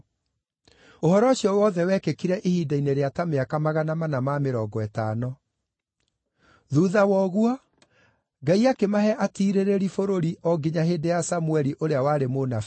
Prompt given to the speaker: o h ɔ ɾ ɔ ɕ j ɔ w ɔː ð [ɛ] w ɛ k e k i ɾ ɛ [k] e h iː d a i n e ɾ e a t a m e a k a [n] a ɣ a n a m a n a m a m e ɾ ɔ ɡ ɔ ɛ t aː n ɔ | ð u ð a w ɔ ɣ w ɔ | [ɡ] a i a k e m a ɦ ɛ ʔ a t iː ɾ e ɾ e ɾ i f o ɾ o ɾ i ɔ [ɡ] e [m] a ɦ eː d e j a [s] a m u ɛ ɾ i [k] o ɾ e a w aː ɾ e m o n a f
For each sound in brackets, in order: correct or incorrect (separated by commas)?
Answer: correct, incorrect, incorrect, correct, correct, incorrect, correct, incorrect